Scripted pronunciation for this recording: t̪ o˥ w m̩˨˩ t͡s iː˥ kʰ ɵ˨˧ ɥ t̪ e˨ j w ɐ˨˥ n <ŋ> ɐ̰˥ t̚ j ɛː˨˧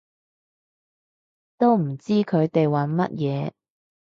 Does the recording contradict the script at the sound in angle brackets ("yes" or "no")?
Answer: yes